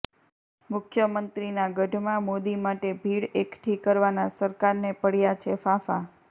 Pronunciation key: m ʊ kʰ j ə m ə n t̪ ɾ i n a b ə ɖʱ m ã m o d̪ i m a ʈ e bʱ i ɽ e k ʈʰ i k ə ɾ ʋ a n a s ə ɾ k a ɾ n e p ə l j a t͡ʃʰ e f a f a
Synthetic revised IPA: m ʊ kʰ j ə m ə n t̪ ɾ i n a ɡ ə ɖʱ m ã m o d̪ i m a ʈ e bʱ i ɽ e k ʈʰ i k ə ɾ ʋ a n a s ə ɾ k a ɾ n e p ə ɽ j a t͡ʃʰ e f a f a